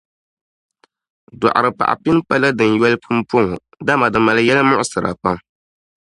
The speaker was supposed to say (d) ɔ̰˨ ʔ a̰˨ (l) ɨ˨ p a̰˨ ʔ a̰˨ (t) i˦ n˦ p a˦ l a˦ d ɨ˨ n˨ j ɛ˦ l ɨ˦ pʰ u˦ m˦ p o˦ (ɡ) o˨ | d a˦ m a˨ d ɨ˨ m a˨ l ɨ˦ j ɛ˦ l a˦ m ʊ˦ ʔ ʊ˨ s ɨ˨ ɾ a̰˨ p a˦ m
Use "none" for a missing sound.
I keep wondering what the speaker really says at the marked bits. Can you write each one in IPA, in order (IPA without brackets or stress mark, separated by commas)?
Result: d, ɾ, p, ŋ